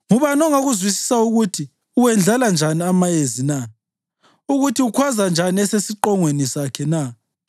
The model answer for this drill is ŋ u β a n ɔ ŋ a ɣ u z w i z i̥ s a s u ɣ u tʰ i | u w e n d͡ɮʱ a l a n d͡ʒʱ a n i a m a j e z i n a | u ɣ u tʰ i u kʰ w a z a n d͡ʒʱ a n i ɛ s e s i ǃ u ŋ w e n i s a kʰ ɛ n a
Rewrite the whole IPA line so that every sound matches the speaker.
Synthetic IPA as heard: ŋ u β a n ɔ ŋ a ɣ u z w i s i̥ s a u ɣ u tʰ i | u w ɛ n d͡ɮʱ a l a n d͡ʒʱ a n i a m a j e z i n a | u ɣ u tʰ i u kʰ w a z a n d͡ʒʱ a n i ɛ s e s i ǃ ɔ ŋ w e n i s a kʰ ɛ n a